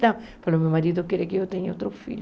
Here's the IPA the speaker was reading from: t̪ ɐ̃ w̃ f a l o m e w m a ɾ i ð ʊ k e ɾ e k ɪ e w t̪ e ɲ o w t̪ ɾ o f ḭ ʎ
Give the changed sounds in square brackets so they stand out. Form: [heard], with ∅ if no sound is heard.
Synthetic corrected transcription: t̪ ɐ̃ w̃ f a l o m e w m a ɾ i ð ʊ k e ɾ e k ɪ e w t̪ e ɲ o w t̪ ɾ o f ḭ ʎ